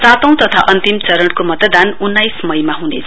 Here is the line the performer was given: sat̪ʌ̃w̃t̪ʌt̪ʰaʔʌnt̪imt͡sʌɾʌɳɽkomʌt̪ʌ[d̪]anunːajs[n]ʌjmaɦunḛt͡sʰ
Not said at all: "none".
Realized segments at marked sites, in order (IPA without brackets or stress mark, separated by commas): d̪, m